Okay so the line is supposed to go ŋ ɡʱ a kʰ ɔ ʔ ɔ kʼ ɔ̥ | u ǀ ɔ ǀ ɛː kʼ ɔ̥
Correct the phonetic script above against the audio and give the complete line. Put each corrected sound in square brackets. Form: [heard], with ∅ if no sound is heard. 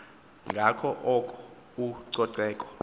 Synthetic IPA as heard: ŋ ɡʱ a kʰ ɔ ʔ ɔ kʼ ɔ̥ | u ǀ ɔ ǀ ɛː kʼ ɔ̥